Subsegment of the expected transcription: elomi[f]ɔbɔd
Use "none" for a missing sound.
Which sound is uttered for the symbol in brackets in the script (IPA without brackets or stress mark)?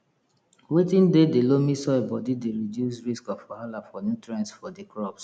s